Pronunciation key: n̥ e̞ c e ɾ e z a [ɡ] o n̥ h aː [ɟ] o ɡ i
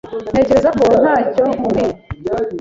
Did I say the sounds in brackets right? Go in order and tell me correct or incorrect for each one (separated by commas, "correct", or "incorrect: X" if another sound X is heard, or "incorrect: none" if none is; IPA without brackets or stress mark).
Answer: incorrect: k, incorrect: c